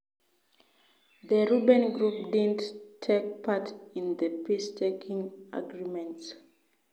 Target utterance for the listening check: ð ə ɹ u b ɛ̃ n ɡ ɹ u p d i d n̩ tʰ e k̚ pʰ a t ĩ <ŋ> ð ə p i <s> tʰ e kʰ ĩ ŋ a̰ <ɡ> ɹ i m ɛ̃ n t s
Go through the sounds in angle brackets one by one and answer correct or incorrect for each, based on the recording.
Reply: incorrect, correct, correct

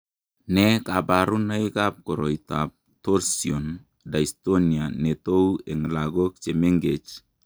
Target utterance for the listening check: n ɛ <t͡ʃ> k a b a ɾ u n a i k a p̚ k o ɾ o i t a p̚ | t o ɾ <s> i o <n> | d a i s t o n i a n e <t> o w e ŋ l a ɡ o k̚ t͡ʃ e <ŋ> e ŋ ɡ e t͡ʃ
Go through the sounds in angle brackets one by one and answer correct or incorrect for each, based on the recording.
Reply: incorrect, correct, correct, correct, incorrect

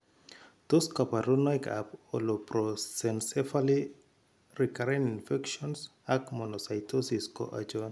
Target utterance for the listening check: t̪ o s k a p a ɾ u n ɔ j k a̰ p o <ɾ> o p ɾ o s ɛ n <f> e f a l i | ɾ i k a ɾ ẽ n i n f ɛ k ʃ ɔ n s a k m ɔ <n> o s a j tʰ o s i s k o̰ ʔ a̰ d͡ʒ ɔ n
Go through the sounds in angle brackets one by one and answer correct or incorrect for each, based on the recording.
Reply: incorrect, incorrect, correct

